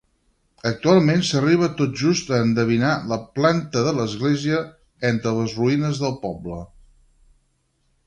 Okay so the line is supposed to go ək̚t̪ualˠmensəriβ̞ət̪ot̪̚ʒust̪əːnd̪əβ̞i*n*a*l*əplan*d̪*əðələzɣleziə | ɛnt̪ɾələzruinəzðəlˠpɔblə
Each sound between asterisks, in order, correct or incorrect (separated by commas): correct, correct, incorrect